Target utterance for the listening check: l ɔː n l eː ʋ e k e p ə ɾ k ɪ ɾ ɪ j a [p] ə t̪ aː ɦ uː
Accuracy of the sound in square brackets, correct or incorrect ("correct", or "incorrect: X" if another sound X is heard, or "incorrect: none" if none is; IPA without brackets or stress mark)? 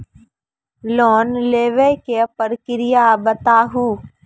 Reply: incorrect: b